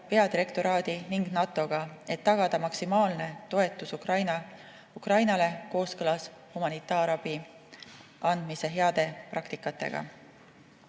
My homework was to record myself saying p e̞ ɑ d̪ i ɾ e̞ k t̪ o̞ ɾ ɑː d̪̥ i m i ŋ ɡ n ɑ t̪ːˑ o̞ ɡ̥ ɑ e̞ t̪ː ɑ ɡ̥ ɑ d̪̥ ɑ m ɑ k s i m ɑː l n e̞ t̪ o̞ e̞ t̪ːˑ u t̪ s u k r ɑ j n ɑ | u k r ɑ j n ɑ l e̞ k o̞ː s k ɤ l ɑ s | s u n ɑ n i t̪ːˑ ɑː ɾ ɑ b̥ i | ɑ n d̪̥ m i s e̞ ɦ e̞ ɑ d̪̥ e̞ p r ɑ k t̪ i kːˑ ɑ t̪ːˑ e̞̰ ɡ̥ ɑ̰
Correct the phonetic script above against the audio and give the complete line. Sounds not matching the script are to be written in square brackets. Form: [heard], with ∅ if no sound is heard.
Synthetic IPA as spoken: p e̞ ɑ d̪ i ɾ e̞ k t̪ o̞ ɾ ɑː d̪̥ i [n] i ŋ ɡ n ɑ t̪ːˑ o̞ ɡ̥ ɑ e̞ t̪ː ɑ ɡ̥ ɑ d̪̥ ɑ m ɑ k s i m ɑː l n e̞ t̪ o̞ e̞ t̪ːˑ u [∅] s u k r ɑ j n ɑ | u k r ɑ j n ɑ l e̞ k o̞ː s k ɤ l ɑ s | [h] u [m] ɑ n i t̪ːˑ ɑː ɾ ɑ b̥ i | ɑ n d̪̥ m i s e̞ ɦ e̞ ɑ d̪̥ e̞ p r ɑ k t̪ i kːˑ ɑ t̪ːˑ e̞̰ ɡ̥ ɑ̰

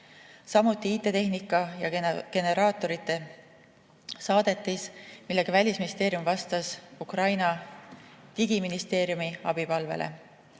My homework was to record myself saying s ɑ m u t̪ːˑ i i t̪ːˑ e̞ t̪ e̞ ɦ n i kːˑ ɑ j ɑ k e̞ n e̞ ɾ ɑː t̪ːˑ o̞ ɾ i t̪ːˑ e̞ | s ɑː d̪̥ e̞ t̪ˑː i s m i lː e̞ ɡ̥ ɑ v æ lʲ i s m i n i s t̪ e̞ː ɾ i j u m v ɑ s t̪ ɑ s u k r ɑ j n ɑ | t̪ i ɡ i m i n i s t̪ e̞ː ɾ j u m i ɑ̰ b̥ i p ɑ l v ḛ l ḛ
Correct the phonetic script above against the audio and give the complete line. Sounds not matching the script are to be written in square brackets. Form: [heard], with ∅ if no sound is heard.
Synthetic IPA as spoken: s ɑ m u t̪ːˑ i i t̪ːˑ e̞ t̪ e̞ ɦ n i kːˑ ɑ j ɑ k e̞ n e̞ ɾ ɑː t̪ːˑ o̞ ɾ i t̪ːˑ e̞ | s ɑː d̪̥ e̞ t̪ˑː i s m i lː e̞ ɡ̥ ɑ v æ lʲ i s m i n i s t̪ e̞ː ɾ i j u m v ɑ s t̪ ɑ s u k r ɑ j n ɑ | t̪ i ɡ i m i n i s t̪ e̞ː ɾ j u m i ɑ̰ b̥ i p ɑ l v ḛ l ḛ

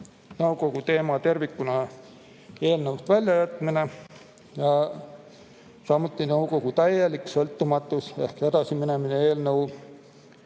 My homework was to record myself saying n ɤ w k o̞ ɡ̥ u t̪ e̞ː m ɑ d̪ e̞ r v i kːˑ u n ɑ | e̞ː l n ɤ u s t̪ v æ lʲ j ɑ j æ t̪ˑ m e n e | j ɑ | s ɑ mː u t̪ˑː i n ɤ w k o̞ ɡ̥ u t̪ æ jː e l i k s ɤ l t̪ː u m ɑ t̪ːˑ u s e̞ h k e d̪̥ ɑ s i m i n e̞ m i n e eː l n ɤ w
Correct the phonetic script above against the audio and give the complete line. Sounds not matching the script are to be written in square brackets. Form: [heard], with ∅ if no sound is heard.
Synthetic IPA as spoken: n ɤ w k o̞ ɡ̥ u t̪ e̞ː m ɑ [t̪] e̞ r v i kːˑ u n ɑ | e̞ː l n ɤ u s t̪ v æ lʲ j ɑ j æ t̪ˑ m [i] n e | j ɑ | s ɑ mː u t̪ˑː i n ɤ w k o̞ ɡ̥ u t̪ æ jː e l i k s ɤ l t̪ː u m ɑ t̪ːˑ u s e̞ h k e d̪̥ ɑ s i m i n e̞ m i n e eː l n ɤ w

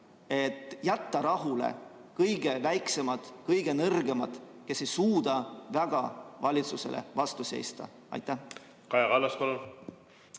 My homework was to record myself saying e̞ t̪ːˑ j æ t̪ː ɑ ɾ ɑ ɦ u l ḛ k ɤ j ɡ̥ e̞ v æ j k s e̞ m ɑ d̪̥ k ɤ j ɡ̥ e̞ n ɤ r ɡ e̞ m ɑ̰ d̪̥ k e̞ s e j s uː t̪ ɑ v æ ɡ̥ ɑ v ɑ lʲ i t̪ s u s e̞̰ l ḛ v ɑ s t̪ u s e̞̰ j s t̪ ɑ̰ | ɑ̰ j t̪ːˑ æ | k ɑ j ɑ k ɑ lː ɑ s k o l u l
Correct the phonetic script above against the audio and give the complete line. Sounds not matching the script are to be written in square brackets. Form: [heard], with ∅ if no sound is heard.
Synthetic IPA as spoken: e̞ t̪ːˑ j æ t̪ː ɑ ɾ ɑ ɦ u l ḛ k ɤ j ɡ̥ e̞ v æ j k s e̞ m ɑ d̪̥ k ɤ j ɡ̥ e̞ n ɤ r ɡ e̞ m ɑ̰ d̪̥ k e̞ s e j s uː [d̪] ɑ v æ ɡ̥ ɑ v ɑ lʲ i t̪ s u s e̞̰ l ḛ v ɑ s t̪ u s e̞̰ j s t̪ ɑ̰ | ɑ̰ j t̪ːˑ æ | k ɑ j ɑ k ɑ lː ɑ s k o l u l

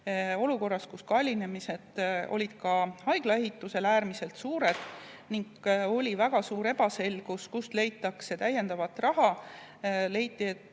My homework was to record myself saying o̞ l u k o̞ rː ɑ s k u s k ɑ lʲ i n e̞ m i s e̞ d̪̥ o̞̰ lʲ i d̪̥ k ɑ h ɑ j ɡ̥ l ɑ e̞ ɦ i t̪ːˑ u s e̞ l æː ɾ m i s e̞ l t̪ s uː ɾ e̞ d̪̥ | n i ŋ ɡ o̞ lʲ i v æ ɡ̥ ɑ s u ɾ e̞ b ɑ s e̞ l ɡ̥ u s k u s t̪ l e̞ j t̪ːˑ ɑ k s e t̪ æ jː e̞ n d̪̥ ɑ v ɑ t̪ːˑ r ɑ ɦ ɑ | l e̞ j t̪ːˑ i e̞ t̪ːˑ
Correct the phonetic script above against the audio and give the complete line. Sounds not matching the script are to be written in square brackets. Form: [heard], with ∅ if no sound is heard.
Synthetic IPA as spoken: o̞ l u k o̞ rː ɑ s k u s k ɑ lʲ i n e̞ m i s e̞ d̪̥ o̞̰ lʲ i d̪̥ k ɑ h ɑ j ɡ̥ l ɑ e̞ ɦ i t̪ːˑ u s e̞ l æː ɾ m i s e̞ l t̪ s uː ɾ e̞ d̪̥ | n i ŋ ɡ o̞ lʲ i v æ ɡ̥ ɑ s [uː] ɾ e̞ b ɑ s e̞ l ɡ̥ u s k u s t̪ l e̞ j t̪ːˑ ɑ k s e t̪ æ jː e̞ n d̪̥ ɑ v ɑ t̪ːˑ r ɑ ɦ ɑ | l e̞ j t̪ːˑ i e̞ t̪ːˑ

